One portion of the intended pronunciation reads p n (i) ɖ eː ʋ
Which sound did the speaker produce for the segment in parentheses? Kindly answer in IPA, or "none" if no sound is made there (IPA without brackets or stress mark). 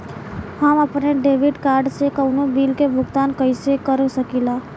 e